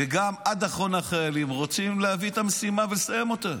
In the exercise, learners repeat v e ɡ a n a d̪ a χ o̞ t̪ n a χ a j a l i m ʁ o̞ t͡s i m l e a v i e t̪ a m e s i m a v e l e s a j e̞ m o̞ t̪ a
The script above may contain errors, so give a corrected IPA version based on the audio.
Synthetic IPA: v e ɡ a m a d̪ a χ o̞ n a χ a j a l i m ʁ o̞ t͡s i m l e a v i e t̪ a m e s i m a v e l e s a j e̞ m o̞ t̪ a